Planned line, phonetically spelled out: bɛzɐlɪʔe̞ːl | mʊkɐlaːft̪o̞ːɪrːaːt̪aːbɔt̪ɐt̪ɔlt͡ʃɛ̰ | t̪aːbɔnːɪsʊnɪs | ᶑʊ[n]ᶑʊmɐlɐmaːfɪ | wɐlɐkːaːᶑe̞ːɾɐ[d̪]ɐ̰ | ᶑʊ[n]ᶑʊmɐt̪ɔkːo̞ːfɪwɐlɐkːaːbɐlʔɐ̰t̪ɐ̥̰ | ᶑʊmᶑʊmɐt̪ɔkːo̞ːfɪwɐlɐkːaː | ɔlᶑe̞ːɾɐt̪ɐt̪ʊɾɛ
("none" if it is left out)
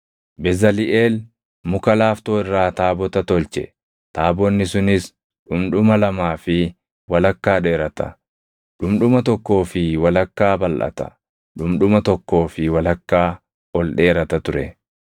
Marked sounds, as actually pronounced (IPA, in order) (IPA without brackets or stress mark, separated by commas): m, t̪, m